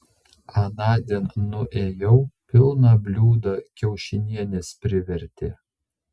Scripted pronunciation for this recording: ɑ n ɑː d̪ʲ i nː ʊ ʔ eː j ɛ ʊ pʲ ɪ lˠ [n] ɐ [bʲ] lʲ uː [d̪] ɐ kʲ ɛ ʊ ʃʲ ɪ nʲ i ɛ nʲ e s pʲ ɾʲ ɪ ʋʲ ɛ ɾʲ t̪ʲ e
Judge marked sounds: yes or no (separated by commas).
yes, yes, yes